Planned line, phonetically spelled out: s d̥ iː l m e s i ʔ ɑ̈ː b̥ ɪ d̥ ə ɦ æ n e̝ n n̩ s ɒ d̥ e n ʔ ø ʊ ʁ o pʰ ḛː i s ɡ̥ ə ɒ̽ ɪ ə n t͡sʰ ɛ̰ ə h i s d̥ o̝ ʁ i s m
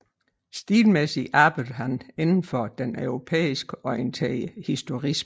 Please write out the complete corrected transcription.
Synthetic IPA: s d̥ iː l m e s i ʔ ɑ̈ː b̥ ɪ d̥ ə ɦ æ n e̝ n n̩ f ɒ d̥ e n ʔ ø ʊ ʁ o pʰ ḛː i s ɡ̥ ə ɒ̽ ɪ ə n t͡sʰ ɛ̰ ə h i s d̥ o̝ ʁ i s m

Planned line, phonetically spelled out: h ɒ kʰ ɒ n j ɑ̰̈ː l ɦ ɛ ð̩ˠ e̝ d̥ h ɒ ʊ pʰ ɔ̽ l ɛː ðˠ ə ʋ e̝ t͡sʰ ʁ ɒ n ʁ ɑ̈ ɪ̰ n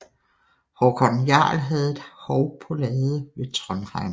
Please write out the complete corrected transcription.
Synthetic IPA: h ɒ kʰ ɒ n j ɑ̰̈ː l ɦ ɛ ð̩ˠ e̝ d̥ h ɒ ʊ pʰ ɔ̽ l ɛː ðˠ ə ʋ e̝ t͡sʰ ʁ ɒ n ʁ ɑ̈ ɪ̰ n

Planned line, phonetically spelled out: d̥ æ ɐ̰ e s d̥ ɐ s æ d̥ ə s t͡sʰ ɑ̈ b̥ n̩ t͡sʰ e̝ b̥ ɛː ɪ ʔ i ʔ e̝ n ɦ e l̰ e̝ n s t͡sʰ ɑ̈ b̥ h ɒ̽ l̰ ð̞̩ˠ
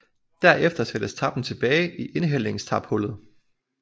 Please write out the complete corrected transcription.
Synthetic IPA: d̥ æ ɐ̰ e f d̥ ɐ s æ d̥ ə s t͡sʰ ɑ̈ b̥ n̩ t͡sʰ e̝ b̥ ɛː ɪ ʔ i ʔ e̝ n ɦ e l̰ e̝ ŋ s t͡sʰ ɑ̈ b̥ h ɔ̽ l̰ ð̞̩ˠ

